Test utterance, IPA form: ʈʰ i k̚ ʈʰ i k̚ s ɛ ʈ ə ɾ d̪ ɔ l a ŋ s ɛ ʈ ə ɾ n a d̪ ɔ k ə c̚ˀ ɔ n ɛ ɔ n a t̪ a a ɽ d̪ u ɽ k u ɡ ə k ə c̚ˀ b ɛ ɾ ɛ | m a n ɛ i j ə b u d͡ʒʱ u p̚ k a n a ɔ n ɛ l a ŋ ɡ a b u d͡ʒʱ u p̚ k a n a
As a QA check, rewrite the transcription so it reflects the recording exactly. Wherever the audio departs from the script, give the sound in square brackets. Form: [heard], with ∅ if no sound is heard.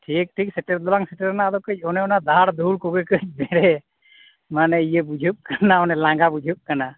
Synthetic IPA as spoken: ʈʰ i k̚ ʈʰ i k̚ s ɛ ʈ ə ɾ d̪ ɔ l a ŋ s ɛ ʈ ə ɾ n a d̪ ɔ k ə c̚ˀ ɔ n ɛ ɔ n a [d̪] a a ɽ d̪ u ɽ k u ɡ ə k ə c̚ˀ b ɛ ɾ ɛ | m a n ɛ i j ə b u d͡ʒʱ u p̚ k a n a ɔ n ɛ l a ŋ ɡ a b u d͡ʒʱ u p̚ k a n a